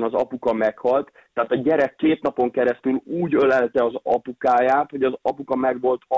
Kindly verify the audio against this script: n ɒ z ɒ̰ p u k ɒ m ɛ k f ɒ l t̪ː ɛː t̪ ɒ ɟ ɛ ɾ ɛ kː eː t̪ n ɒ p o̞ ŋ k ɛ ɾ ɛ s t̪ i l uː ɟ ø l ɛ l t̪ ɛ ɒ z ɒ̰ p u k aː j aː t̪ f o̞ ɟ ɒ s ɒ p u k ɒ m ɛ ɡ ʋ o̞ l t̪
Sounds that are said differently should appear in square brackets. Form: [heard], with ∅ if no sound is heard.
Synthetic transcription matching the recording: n ɒ z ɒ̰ p u k ɒ m ɛ k [h] ɒ l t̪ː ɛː t̪ ɒ ɟ ɛ ɾ ɛ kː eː t̪ n ɒ p o̞ ŋ k ɛ ɾ ɛ s t̪ [y] l uː ɟ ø l ɛ l t̪ ɛ ɒ z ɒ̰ p u k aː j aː t̪ [h] o̞ ɟ ɒ [z] ɒ p u k ɒ m ɛ ɡ ʋ o̞ l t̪